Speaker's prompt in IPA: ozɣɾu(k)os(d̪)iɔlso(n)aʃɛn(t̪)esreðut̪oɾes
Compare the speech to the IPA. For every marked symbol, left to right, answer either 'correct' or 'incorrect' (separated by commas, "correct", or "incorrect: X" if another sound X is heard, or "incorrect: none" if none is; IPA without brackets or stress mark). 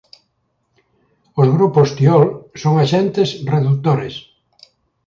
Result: incorrect: p, incorrect: t̪, incorrect: ŋ, correct